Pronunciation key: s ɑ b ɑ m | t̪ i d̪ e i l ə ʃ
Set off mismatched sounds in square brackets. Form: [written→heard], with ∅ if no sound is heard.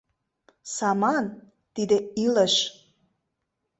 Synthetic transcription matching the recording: s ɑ [b→m] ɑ [m→n] | t̪ i d̪ e i l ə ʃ